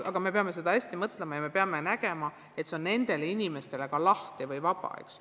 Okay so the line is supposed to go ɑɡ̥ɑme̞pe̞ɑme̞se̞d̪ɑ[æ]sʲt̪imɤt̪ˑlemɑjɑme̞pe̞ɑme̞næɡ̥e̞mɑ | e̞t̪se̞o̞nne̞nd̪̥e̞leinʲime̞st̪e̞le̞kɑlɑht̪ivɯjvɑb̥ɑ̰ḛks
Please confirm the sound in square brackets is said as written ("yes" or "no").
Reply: yes